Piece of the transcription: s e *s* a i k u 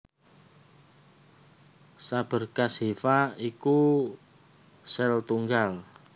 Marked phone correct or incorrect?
incorrect